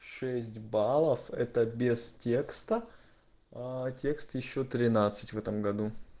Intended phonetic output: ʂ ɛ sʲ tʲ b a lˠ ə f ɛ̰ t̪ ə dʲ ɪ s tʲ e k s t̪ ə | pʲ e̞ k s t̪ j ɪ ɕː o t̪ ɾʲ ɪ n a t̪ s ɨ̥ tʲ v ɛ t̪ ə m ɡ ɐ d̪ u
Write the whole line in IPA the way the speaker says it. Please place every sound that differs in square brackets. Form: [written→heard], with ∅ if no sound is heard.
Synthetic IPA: ʂ ɛ sʲ tʲ b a lˠ ə f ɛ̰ t̪ ə [dʲ→bʲ] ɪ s tʲ e k s t̪ ə | [pʲ→tʲ] e̞ k s t̪ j ɪ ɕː o t̪ ɾʲ ɪ n a t̪ s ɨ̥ tʲ v ɛ t̪ ə m ɡ ɐ d̪ u